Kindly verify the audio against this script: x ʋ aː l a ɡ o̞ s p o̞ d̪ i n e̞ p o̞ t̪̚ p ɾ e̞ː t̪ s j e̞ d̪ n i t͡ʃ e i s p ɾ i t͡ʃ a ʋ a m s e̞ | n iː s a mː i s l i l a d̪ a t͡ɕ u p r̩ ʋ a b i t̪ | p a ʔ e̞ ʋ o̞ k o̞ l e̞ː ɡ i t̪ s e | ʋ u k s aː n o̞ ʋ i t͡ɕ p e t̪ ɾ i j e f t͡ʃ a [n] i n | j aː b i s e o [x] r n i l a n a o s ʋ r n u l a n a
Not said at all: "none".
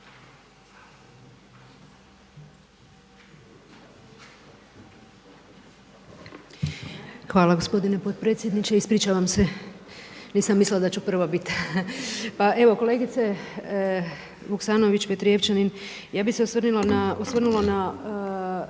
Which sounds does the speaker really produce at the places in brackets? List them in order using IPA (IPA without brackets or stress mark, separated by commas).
n, s